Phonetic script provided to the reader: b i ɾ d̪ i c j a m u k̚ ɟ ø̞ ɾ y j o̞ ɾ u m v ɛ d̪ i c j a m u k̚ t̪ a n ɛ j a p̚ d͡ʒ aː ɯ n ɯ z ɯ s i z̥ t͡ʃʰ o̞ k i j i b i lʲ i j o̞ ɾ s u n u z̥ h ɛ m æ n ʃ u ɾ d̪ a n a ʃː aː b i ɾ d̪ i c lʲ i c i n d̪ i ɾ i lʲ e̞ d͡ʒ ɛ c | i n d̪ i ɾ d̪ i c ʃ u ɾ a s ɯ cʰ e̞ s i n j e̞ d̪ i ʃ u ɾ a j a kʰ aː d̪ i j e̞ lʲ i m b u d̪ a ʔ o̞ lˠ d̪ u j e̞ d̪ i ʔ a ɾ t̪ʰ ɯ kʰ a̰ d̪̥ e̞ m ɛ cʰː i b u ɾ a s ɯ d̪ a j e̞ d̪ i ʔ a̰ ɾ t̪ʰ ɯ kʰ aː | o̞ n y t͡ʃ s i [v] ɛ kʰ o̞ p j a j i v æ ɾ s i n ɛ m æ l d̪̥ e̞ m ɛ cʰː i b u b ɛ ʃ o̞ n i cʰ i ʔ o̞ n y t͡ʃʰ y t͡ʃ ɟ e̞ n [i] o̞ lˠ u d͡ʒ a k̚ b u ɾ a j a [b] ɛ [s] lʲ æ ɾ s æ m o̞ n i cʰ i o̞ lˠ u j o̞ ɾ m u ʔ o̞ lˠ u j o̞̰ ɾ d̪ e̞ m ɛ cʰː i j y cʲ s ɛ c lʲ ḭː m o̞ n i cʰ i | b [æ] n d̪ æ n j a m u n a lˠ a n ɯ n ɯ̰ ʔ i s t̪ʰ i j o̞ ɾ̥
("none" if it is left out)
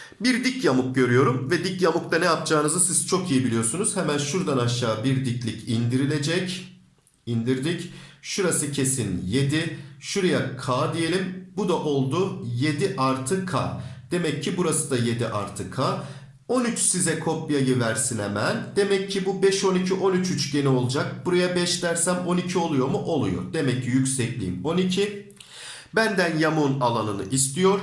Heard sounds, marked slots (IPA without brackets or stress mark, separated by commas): z, i, b, ʃ, æ